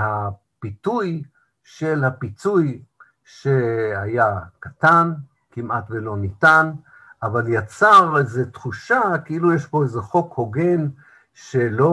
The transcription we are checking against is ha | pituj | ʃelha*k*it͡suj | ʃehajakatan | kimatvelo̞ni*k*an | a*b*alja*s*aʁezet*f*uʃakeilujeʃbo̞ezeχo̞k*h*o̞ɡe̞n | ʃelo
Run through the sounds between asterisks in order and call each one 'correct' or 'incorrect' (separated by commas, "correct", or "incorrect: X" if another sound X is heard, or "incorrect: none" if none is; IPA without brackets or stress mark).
incorrect: p, incorrect: t, incorrect: v, incorrect: t͡s, incorrect: χ, correct